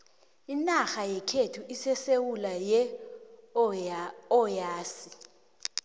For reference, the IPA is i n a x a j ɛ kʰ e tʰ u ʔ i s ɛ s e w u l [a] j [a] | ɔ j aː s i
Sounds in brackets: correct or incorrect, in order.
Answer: correct, incorrect: ɛ

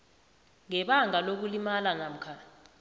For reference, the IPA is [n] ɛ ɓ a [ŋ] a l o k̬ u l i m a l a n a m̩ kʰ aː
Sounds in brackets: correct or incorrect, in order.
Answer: incorrect: ŋ, correct

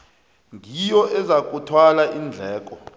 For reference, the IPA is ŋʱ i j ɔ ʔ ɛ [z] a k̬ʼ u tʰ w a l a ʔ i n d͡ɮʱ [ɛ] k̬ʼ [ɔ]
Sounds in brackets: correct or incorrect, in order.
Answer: correct, incorrect: ɛː, correct

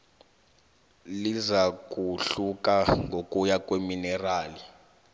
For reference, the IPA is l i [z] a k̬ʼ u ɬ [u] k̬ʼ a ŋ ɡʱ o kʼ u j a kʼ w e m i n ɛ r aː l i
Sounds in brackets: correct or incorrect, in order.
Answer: correct, correct

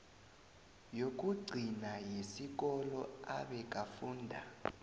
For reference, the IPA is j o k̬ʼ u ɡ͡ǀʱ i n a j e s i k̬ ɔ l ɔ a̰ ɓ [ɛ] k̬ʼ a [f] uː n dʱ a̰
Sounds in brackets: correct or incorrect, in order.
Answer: correct, correct

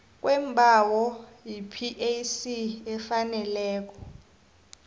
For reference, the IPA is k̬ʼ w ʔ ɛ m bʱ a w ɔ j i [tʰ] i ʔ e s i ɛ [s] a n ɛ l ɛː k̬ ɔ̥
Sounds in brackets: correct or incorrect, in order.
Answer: incorrect: pʰ, incorrect: f

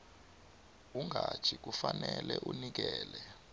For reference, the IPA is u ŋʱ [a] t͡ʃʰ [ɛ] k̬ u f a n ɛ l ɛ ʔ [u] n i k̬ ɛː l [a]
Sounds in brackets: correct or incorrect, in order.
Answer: correct, incorrect: i, correct, incorrect: ɛ

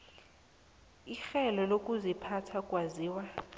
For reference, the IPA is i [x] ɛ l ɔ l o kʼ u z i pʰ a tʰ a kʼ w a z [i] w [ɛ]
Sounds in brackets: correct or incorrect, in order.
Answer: correct, incorrect: iː, incorrect: a

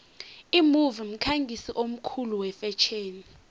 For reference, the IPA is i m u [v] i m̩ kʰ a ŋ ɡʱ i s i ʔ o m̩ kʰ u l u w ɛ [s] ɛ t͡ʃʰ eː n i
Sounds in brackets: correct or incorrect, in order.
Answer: correct, incorrect: f

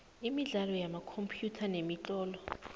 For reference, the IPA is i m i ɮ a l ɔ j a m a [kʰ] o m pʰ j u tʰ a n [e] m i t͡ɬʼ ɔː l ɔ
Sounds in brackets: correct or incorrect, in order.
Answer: correct, correct

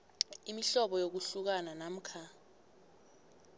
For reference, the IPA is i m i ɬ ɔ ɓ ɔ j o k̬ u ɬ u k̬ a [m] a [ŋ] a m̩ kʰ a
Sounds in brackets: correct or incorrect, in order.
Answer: incorrect: n, incorrect: n

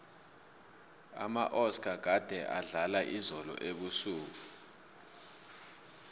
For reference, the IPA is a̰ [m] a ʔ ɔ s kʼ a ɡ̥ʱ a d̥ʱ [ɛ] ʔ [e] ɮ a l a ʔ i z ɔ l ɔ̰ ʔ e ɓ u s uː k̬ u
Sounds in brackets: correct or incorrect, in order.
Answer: correct, correct, incorrect: a

